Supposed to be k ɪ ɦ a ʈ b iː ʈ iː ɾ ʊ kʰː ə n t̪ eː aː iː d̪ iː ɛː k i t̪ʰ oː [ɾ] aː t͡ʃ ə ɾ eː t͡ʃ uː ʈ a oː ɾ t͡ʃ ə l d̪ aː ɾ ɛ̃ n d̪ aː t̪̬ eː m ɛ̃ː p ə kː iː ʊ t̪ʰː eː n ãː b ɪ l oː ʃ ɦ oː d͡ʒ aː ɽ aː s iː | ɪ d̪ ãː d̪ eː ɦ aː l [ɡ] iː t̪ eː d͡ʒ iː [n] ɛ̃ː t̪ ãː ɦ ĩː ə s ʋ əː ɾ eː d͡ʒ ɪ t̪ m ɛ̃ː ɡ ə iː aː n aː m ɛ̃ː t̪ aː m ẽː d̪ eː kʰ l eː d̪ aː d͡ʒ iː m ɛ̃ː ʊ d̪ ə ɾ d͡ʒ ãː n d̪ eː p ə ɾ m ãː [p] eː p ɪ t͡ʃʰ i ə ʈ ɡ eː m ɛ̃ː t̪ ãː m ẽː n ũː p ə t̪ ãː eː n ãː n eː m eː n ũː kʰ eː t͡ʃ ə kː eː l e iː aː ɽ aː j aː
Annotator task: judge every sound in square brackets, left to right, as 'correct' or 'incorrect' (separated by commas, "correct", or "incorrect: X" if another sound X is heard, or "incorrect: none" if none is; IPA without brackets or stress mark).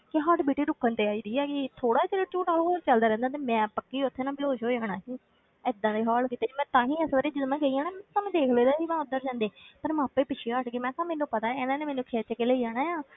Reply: incorrect: ɽ, incorrect: k, incorrect: m, correct